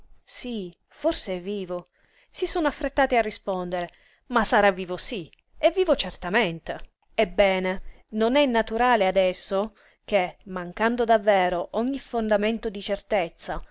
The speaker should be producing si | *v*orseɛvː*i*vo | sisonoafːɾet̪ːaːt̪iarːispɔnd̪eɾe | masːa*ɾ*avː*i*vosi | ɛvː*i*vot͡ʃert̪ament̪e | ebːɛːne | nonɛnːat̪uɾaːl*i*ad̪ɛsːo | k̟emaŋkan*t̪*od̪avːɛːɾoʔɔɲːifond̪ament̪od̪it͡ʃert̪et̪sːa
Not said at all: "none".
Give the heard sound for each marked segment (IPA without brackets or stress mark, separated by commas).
f, iː, ɾ, iː, iː, e, d̪